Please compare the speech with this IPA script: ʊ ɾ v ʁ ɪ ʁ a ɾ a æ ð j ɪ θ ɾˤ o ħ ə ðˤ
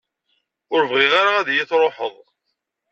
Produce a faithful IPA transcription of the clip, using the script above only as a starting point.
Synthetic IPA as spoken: ʊ ɾ v ʁ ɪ ʁ a ɾ a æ ð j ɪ θ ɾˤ o ħ ə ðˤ